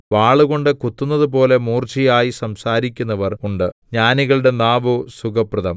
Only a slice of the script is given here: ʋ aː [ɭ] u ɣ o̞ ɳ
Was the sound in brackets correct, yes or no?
yes